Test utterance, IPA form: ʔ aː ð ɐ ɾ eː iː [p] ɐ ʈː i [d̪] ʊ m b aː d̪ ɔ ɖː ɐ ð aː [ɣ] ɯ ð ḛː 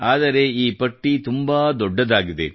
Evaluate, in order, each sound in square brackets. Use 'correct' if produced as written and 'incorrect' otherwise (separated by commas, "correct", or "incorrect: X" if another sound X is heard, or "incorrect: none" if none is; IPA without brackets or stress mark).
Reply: correct, incorrect: t̪, correct